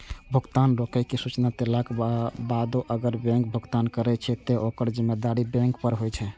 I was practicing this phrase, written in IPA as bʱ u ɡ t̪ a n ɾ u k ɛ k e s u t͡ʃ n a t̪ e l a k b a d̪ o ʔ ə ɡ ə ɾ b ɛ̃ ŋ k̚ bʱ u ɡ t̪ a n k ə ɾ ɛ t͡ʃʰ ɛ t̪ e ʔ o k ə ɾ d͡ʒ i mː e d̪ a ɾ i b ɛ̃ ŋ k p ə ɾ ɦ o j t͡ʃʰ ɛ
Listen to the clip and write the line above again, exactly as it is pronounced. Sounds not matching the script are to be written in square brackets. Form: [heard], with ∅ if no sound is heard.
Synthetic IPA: bʱ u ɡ t̪ a n ɾ [o] k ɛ k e s u t͡ʃ n a t̪ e l a k b a d̪ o ʔ ə ɡ ə ɾ b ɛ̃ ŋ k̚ bʱ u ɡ t̪ a n k ə ɾ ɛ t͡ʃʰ ɛ t̪ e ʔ o k ə ɾ d͡ʒ i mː e d̪ a ɾ i b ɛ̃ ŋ k p ə ɾ ɦ o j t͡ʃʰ ɛ